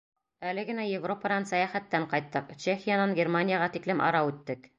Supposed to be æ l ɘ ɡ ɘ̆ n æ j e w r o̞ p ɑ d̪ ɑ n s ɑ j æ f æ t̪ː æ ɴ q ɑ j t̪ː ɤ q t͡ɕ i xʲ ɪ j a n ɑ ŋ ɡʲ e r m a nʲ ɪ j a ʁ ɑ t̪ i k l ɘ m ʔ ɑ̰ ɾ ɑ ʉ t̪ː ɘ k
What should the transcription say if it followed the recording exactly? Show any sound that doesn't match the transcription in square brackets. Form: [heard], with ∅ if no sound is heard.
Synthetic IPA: æ l ɘ ɡ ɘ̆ n æ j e [v] r o̞ p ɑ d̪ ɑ n s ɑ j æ [χ] æ t̪ː æ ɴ q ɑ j t̪ː ɤ q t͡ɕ [e] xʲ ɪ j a n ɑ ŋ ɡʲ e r m a nʲ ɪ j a ʁ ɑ t̪ i k l ɘ m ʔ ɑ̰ ɾ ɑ ʉ t̪ː ɘ k